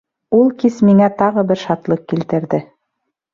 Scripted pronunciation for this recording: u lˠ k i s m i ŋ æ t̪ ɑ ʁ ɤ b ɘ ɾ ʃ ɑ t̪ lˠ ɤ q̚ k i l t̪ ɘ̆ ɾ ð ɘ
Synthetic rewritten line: u lˠ k i s m i ŋ æ t̪ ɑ ʁ ɤ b ɘ ɾ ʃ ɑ t̪ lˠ ɤ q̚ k i l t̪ ɘ̆ ɾ ð ɘ

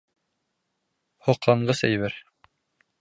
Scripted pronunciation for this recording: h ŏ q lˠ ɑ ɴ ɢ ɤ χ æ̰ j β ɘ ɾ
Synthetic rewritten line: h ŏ q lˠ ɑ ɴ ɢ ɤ s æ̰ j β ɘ ɾ

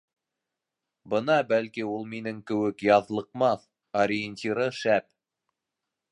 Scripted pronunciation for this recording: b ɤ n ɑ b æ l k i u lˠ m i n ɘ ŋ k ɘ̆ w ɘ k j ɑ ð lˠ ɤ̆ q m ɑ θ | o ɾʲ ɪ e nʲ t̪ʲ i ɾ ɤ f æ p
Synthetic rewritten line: b ɤ n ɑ b æ l k i u lˠ m i n ɘ ŋ k ɘ̆ w ɘ k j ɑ ð lˠ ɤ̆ q m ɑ θ | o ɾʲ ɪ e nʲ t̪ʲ i ɾ ɤ ʃ æ p

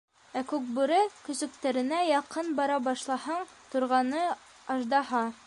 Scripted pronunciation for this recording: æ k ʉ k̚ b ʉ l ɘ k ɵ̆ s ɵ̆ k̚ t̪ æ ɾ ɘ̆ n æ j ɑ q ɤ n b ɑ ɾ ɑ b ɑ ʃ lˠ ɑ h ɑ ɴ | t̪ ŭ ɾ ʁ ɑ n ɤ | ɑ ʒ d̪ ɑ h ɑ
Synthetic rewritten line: æ k ʉ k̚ b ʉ ɾ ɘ k ɵ̆ s ɵ̆ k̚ t̪ æ ɾ ɘ̆ n æ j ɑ q ɤ n b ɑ ɾ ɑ b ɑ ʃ lˠ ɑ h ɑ ɴ | t̪ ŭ ɾ ʁ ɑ n ɤ | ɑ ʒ d̪ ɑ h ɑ

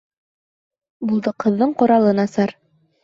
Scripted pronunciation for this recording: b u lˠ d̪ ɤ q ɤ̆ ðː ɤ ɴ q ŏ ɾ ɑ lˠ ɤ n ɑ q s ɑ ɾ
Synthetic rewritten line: b u lˠ d̪ ɤ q ɤ̆ ðː ɤ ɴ q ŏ ɾ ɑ lˠ ɤ n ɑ s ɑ ɾ

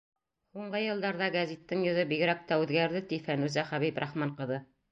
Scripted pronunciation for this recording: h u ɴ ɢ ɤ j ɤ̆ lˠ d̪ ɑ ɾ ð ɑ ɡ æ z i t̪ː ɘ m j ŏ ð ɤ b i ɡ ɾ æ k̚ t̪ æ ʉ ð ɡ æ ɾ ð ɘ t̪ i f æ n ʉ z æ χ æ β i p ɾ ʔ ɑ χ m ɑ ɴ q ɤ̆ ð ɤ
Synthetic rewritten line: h u ɴ ɢ ɤ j ɤ̆ lˠ d̪ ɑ ɾ ð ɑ ɡ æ z i t̪ː ɘ ŋ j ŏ ð ɤ b i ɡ ɾ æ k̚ t̪ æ ʉ ð ɡ æ ɾ ð ɘ t̪ i f æ n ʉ z æ χ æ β i p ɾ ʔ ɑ χ m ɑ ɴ q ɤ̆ ð ɤ

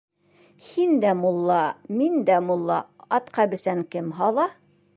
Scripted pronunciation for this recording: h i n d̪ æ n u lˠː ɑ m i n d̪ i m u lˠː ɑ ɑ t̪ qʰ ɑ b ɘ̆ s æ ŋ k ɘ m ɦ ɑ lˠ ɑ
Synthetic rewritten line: h i n d̪ æ m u lˠː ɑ m i n d̪ æ m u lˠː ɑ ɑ t̪ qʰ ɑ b ɘ̆ s æ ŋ k ɘ m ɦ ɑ lˠ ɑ

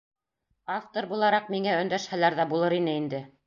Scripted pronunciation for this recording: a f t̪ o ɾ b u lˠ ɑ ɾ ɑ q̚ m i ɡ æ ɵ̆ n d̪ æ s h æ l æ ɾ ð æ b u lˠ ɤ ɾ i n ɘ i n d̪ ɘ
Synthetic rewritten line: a f t̪ o ɾ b u lˠ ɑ ɾ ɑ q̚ m i ŋ æ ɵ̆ n d̪ æ ʃ h æ l æ ɾ ð æ b u lˠ ɤ ɾ i n ɘ i n d̪ ɘ

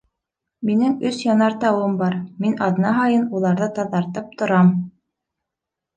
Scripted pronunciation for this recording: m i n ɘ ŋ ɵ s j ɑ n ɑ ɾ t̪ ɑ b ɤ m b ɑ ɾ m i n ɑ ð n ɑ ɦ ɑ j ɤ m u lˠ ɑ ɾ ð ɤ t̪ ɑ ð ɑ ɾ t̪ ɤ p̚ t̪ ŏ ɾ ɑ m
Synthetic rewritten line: m i n ɘ ŋ ɵ s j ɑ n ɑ ɾ t̪ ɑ w ɤ m b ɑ ɾ m i n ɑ ð n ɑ ɦ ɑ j ɤ n u lˠ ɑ ɾ ð ɤ t̪ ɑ ð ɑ ɾ t̪ ɤ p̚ t̪ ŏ ɾ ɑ m

